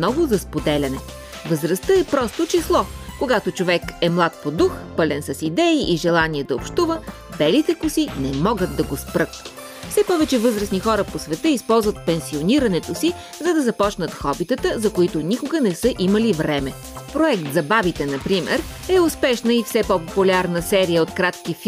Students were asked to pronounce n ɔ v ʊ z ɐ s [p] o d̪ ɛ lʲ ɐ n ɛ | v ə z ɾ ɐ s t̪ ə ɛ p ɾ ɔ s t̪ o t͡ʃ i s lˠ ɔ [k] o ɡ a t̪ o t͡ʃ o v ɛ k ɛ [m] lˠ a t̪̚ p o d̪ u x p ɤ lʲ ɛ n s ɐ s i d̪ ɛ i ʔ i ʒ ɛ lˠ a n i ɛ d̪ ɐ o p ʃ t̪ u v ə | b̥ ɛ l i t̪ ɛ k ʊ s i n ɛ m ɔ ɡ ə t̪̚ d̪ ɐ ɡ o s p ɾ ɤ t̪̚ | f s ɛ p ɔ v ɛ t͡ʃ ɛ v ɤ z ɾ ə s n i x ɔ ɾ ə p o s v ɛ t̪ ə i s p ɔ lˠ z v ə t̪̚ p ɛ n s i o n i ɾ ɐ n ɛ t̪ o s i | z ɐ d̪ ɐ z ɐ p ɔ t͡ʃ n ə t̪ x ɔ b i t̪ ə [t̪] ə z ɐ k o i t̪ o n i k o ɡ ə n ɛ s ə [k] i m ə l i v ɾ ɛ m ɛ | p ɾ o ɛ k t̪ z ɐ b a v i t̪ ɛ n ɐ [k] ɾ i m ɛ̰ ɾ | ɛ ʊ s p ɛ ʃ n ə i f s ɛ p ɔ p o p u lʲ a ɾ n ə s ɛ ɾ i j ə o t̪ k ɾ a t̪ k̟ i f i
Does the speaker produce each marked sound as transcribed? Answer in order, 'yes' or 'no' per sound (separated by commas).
yes, yes, yes, yes, no, no